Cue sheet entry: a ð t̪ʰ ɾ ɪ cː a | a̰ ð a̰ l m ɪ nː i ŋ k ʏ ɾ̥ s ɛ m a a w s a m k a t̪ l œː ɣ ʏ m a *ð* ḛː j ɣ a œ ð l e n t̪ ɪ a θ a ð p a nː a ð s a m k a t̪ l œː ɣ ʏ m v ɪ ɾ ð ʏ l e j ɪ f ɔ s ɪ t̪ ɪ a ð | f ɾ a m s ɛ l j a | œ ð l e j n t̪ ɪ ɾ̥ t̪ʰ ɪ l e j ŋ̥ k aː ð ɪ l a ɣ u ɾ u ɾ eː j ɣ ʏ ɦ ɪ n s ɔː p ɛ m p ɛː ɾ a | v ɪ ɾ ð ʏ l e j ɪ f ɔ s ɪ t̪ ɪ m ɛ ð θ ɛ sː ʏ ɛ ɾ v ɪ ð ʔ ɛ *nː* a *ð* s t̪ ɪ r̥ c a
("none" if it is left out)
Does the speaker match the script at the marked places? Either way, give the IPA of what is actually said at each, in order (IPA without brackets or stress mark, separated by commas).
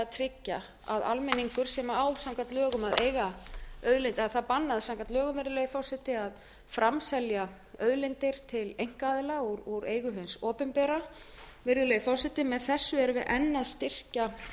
ð, nː, ð